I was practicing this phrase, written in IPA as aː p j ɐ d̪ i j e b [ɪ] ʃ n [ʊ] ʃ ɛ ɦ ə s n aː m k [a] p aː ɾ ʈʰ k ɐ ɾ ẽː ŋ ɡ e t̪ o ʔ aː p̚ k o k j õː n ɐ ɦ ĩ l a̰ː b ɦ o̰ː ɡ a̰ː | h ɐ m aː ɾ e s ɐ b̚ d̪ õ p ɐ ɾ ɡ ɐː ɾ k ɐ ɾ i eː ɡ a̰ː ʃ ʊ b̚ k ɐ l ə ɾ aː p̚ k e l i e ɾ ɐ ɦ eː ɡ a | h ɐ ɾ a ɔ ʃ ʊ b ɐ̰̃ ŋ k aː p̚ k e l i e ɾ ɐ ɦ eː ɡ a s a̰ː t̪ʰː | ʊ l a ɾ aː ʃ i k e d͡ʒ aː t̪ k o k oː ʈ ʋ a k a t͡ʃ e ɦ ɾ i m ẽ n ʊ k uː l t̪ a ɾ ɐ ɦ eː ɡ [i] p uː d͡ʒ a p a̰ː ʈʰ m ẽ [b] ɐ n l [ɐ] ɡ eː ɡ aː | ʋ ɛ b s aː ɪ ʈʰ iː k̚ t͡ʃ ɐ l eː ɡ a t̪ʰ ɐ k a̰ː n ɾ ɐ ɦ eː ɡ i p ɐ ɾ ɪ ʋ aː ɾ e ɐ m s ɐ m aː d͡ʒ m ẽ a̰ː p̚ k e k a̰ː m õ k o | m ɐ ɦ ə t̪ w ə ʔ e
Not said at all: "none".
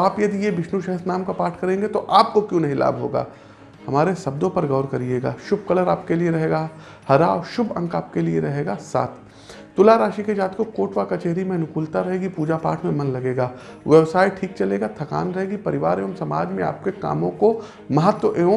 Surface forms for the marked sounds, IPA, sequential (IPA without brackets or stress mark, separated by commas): ɪ, u, a, i, m, ɐ